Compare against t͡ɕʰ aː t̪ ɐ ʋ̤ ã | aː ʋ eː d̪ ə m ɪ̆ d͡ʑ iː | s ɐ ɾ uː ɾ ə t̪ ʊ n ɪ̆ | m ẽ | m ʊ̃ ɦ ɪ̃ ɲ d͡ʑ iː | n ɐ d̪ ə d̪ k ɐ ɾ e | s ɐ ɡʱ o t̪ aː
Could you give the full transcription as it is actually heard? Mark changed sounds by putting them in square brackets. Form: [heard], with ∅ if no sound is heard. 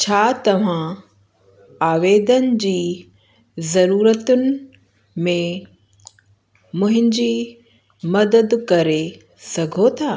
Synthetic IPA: t͡ɕʰ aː t̪ ɐ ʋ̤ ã | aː ʋ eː d̪ ə [n] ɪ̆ d͡ʑ iː | [z] ɐ ɾ uː ɾ ə t̪ ʊ n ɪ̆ | m ẽ | m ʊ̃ ɦ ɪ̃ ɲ d͡ʑ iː | [m] ɐ d̪ ə d̪ k ɐ ɾ e | s ɐ ɡʱ o [t̪ʰ] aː

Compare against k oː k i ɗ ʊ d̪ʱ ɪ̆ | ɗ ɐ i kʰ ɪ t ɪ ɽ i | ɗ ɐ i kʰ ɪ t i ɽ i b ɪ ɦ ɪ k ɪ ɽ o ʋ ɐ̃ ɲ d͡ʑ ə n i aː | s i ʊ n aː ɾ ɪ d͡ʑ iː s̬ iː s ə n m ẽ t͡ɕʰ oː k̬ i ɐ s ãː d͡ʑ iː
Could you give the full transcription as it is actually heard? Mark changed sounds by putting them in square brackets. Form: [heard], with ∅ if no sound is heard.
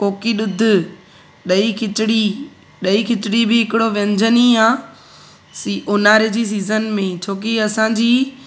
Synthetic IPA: k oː k i ɗ ʊ d̪ʱ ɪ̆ | ɗ ɐ i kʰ ɪ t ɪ ɽ i | ɗ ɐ i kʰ ɪ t [ɪ] ɽ i b ɪ ɦ ɪ k ɪ ɽ o ʋ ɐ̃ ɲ d͡ʑ ə n i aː | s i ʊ n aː ɾ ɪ d͡ʑ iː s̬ iː [z] ə n m ẽ t͡ɕʰ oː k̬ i ɐ s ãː d͡ʑ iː

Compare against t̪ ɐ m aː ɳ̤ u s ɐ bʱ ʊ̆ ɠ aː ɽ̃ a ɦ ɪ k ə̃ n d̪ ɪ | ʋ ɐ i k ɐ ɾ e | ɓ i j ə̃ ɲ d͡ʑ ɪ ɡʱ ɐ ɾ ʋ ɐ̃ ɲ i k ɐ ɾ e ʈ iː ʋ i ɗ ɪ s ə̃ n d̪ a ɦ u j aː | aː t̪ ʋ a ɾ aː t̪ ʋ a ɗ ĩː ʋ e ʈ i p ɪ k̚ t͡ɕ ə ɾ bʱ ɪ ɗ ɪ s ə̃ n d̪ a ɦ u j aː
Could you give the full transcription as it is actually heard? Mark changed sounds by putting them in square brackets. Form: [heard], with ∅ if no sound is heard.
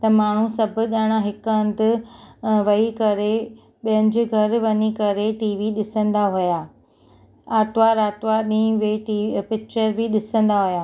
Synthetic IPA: t̪ ɐ m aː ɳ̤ u s ɐ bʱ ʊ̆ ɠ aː ɽ̃ a ɦ ɪ k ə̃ n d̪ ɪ | ʋ ɐ i k ɐ ɾ e | ɓ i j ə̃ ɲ d͡ʑ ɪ ɡʱ ɐ ɾ ʋ [ɐ] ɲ i k ɐ ɾ e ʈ iː ʋ i ɗ ɪ s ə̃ n d̪ a ɦ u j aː | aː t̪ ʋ a ɾ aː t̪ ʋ a ɗ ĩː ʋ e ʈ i p ɪ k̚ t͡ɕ ə ɾ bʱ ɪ ɗ ɪ s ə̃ n d̪ a ɦ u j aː

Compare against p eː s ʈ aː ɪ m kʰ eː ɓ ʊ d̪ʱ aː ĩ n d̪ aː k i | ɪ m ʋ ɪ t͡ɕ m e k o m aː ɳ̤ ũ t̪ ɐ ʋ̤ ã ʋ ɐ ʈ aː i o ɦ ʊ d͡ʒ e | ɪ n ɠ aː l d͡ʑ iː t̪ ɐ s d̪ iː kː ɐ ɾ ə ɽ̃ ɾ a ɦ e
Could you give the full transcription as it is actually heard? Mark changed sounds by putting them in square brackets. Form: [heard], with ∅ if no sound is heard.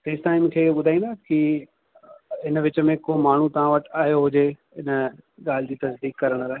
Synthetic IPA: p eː s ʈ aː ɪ m kʰ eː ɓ ʊ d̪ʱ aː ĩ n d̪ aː k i | ɪ [n] ʋ ɪ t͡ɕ m [ẽ] k o m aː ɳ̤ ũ t̪ ɐ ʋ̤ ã ʋ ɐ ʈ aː [j] o ɦ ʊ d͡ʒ e | ɪ n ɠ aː l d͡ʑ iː t̪ ɐ s d̪ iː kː ɐ ɾ ə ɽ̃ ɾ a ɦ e

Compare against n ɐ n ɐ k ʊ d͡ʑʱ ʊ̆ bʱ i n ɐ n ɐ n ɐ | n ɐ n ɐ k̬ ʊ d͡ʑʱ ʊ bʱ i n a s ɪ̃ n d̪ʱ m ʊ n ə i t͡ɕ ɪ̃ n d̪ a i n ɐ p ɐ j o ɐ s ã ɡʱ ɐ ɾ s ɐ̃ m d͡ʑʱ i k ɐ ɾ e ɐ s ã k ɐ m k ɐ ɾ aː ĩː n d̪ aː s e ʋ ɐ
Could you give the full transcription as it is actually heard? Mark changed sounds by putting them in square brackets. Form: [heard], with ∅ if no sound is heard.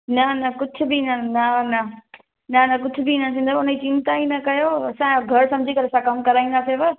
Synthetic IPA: n ɐ n ɐ k ʊ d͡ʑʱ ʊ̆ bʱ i n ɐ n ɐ n ɐ | n ɐ n ɐ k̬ ʊ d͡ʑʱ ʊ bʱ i n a s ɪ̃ n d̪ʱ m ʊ n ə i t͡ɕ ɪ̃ n [t̪] a i n ɐ [k] ɐ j o ɐ s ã ɡʱ ɐ ɾ s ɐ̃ m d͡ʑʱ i k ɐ ɾ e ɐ s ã k ɐ m k ɐ ɾ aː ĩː n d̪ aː s e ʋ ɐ

